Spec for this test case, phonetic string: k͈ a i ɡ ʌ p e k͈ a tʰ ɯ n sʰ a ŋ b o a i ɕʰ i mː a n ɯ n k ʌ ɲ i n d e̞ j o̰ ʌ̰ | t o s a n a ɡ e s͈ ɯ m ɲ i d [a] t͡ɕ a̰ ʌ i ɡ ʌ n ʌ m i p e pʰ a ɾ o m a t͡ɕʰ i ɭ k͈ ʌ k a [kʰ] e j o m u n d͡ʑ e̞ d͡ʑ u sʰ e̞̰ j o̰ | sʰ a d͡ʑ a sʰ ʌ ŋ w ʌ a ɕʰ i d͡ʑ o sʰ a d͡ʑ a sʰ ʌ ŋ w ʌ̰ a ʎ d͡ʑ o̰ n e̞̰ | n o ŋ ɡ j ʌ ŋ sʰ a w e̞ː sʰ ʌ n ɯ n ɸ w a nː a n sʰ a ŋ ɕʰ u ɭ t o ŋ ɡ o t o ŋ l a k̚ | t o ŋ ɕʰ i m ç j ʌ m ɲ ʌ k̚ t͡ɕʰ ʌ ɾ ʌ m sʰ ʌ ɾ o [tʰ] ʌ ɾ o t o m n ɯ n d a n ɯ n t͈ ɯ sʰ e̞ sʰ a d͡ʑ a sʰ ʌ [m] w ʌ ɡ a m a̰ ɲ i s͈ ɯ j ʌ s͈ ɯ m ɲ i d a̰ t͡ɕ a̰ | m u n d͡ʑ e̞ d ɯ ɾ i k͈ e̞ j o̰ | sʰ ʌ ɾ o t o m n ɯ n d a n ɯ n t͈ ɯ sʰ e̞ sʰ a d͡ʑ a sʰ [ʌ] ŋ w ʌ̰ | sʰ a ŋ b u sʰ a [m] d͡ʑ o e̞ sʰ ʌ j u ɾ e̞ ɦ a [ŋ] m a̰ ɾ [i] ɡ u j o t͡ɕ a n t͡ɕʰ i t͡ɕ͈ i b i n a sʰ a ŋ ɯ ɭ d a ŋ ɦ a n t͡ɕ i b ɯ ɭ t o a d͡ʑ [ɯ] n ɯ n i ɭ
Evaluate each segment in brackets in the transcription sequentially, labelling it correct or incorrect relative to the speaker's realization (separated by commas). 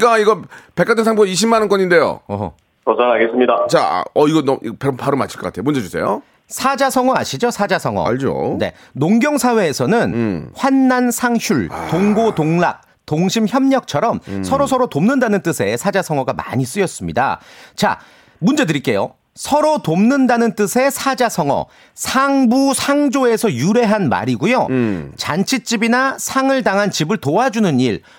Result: correct, incorrect, incorrect, incorrect, correct, incorrect, incorrect, correct, incorrect